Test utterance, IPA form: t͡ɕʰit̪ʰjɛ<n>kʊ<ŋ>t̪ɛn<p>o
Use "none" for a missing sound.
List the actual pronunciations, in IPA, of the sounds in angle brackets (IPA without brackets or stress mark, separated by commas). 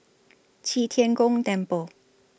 n, ŋ, p